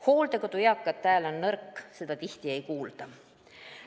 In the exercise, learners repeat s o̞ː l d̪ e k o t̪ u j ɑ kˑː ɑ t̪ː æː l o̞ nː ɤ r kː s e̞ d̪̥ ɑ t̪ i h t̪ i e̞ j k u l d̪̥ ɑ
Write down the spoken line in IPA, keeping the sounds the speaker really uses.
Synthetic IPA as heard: h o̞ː l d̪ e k o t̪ u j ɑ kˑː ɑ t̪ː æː l o̞ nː ɤ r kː s e̞ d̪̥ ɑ t̪ i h t̪ i e̞ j k uː l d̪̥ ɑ